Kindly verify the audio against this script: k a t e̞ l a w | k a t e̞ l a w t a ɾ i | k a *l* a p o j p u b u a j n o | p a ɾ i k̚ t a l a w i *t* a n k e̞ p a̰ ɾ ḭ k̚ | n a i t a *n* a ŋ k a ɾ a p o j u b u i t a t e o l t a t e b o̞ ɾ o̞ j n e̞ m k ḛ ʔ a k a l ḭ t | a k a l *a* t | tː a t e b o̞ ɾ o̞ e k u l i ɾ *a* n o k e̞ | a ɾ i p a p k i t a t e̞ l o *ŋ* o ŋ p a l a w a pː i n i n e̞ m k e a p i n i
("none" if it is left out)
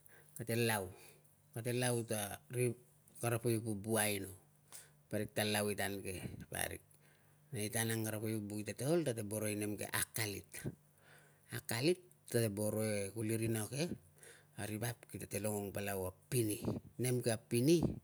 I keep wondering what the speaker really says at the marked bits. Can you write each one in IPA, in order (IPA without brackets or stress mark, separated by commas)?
ɾ, t, n, i, i, ŋ